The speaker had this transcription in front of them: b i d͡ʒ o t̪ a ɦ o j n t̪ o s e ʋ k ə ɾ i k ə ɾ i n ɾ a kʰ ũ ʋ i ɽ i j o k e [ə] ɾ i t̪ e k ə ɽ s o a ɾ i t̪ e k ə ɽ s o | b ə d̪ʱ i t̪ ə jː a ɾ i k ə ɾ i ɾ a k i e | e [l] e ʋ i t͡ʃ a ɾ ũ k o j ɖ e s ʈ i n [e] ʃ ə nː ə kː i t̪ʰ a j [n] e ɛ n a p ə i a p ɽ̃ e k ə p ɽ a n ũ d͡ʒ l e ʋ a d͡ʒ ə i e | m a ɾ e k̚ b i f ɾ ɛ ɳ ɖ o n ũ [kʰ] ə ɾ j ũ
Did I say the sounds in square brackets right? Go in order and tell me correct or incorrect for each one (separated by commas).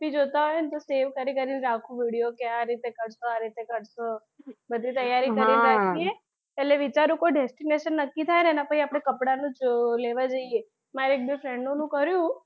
incorrect, correct, correct, correct, incorrect